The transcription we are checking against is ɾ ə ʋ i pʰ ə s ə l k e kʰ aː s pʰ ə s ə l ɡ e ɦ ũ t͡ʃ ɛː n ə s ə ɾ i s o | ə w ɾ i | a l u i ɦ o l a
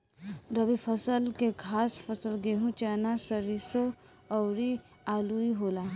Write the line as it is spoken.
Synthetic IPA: ɾ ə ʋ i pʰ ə s ə l k e kʰ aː s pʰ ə s ə l ɡ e ɦ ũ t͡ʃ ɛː n a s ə ɾ i s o | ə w ɾ i | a l u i ɦ o l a